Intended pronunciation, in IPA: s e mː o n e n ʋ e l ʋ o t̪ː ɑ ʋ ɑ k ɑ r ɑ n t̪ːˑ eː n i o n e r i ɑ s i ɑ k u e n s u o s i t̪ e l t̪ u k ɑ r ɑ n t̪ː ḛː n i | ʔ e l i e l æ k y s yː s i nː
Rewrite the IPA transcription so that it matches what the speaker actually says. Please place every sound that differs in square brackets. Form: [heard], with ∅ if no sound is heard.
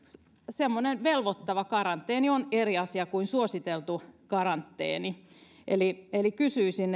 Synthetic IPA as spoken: s e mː o n e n ʋ e l ʋ o t̪ː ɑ ʋ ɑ k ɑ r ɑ n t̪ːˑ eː n i o n e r i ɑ s i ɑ k u [i] n s u o s i t̪ e l t̪ u k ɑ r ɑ n t̪ː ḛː n i | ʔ e l i e l [i] k y s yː s i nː